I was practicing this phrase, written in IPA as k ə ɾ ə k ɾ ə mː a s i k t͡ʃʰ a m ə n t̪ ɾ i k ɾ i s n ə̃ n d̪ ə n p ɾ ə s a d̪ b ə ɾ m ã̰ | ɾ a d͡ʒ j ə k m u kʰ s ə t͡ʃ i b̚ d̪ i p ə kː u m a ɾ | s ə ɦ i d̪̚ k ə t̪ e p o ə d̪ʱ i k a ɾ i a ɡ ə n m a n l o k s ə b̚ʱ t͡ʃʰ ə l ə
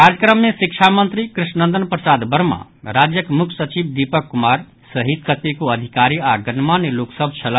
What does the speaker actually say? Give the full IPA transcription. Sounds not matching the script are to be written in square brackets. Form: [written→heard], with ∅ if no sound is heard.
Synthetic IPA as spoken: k [ə→a] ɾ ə k ɾ ə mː [a→e] s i k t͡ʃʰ a m ə n t̪ ɾ i k ɾ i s n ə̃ n d̪ ə n p ɾ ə s a d̪ b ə ɾ m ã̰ | ɾ a d͡ʒ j ə k m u kʰ s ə t͡ʃ i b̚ d̪ i p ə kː u m a ɾ | s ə ɦ i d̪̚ k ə t̪ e [p→k] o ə d̪ʱ i k a ɾ i a ɡ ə n m a n l o k s ə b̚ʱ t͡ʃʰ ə l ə